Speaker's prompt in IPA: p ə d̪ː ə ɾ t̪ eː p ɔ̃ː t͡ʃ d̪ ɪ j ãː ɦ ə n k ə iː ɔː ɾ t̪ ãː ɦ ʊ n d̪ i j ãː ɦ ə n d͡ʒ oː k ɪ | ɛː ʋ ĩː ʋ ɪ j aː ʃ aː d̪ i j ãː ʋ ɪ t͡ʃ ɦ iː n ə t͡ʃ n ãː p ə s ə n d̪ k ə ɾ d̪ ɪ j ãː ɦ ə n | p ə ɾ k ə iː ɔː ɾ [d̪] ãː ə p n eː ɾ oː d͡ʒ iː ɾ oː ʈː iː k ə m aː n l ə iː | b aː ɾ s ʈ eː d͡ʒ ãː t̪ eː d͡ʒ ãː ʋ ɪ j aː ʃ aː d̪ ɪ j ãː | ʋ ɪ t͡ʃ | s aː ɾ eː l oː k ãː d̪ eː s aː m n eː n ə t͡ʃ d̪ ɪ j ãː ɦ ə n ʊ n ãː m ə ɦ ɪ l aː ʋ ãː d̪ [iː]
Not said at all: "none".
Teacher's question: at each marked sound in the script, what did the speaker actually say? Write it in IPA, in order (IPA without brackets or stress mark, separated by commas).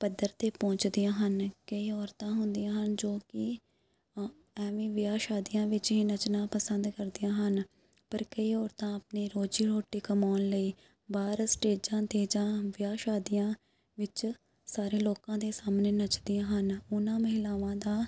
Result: t̪, aː